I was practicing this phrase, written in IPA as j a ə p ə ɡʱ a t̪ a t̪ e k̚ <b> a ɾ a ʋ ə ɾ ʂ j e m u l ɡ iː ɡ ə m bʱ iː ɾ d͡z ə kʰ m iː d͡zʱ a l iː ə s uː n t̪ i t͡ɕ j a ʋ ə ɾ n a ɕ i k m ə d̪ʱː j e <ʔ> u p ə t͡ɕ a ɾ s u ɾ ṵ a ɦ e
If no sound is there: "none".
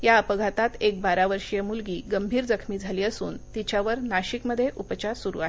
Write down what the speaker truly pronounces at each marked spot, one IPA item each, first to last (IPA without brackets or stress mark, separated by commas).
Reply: b, ʔ